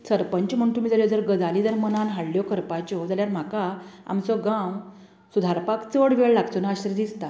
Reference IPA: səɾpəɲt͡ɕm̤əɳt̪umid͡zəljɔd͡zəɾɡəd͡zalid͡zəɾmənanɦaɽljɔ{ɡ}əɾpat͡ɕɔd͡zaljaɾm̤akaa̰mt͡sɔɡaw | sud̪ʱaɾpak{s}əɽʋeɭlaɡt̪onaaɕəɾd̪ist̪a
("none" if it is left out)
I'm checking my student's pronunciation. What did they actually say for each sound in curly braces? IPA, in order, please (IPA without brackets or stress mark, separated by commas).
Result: k, t͡s